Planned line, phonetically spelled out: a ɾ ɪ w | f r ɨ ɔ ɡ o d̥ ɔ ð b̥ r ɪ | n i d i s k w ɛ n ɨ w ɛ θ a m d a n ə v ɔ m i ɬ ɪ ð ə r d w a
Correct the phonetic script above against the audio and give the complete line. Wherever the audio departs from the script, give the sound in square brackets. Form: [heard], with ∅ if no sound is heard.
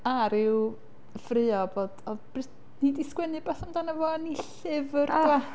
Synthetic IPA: a ɾ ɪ w | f r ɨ ɔ [b] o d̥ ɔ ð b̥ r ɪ | n i d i s k w ɛ n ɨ [b] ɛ θ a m d a n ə v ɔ [n] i ɬ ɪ [v] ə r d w a